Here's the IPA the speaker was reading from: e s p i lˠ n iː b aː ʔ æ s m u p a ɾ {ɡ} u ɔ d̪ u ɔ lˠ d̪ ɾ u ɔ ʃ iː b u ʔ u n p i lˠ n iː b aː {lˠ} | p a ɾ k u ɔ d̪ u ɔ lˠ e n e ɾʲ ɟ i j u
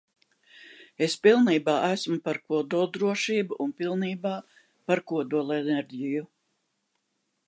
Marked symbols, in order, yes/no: no, no

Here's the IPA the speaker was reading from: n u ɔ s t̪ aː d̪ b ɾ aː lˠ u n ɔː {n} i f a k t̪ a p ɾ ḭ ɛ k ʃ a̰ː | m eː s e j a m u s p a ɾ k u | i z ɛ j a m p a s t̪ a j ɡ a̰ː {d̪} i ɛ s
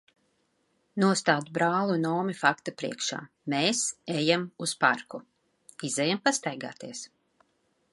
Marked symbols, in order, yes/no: no, no

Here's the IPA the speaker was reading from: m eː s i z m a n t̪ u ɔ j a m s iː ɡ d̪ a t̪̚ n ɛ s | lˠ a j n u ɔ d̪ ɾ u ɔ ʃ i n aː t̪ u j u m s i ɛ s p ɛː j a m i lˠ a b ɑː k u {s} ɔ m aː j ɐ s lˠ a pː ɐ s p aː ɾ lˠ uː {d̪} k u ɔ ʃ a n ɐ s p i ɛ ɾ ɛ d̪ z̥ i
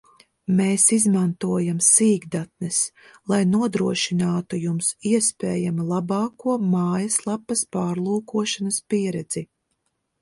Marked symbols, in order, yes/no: no, no

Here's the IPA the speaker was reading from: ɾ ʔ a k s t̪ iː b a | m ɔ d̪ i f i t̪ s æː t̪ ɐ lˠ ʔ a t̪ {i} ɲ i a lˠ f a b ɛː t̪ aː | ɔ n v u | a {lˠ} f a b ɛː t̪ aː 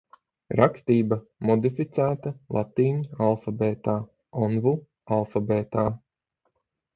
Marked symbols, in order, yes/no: no, yes

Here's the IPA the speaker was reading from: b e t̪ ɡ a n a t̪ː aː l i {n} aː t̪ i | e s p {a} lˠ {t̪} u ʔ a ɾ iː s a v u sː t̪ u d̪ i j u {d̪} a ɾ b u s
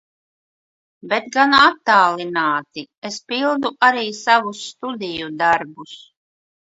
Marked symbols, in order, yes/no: yes, no, no, yes

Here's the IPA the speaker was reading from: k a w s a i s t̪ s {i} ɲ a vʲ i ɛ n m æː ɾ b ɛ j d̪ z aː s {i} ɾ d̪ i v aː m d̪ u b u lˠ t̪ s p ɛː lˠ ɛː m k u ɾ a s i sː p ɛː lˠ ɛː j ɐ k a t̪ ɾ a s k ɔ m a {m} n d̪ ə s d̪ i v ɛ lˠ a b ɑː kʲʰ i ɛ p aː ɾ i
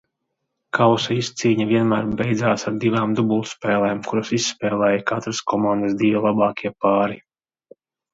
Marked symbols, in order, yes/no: no, no, no

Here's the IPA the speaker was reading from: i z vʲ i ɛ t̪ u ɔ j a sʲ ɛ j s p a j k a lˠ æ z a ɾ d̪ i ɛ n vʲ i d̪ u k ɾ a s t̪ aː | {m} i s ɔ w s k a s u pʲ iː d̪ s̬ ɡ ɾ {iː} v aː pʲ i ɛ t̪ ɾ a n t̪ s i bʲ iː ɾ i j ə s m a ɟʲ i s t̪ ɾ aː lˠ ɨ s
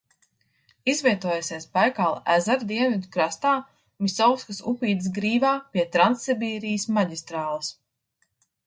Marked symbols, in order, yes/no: yes, yes

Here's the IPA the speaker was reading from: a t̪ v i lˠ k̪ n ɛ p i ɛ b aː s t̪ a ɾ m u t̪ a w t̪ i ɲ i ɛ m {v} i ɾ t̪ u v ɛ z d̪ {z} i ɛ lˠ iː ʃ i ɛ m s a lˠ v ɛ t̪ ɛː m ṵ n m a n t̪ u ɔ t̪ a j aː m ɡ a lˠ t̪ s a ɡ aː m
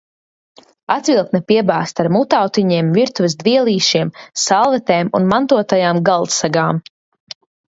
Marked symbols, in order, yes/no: yes, no

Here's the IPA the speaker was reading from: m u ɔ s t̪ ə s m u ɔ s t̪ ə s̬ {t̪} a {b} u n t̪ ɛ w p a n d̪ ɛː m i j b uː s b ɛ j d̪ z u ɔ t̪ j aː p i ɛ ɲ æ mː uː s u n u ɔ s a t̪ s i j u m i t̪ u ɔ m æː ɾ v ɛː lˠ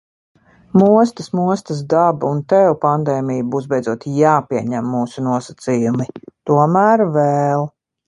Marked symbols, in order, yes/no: no, yes

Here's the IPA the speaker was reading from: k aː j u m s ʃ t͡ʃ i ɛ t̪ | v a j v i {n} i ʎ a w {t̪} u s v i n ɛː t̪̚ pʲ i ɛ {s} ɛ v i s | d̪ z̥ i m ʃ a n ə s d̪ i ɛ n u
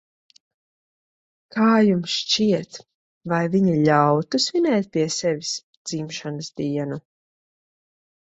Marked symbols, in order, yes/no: no, yes, yes

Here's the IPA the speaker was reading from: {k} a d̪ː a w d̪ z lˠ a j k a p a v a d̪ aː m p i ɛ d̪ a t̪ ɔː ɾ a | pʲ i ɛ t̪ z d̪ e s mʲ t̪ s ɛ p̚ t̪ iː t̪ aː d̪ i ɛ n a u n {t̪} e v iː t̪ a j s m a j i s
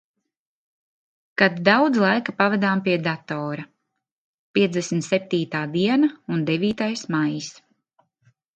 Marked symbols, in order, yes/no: yes, no

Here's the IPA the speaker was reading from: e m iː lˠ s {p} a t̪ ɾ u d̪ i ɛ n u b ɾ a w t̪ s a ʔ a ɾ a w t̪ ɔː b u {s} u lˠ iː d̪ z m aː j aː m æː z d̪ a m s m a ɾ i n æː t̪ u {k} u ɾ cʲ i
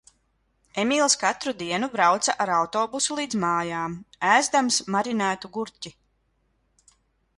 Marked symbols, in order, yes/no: no, yes, no

